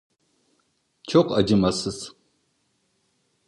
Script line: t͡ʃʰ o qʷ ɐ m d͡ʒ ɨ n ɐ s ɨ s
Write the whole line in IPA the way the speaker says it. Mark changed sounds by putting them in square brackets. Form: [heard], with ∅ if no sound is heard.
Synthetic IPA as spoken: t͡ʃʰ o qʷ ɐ [∅] d͡ʒ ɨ [m] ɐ s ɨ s